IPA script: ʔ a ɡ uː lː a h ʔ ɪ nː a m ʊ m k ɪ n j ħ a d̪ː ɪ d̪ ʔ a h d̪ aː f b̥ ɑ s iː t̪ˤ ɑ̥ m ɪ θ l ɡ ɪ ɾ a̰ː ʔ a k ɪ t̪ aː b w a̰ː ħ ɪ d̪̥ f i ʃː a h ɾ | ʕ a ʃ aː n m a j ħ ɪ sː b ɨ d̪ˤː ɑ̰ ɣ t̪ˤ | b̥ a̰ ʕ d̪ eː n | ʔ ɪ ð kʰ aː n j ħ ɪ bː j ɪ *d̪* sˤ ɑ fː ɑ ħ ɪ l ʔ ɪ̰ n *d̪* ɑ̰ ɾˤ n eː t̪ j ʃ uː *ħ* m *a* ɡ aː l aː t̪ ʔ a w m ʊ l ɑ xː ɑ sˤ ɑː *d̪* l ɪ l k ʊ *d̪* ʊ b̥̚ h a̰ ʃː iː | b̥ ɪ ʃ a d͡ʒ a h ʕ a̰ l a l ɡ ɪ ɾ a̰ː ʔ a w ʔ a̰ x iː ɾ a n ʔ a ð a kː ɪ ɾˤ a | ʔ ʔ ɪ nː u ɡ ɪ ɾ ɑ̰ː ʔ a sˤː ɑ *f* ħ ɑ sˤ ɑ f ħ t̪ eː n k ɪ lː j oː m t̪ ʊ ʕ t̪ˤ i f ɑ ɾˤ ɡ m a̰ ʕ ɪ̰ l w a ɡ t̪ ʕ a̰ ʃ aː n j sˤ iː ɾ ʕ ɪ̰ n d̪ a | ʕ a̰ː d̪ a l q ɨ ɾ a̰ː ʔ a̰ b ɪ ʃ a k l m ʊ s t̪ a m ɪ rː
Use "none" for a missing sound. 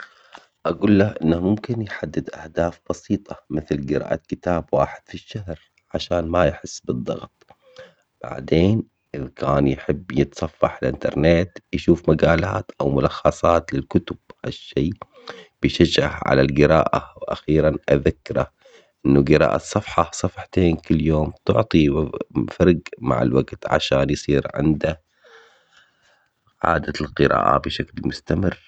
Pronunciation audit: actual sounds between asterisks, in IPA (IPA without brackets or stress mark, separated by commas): t̪, t̪, f, a, t̪, t̪, f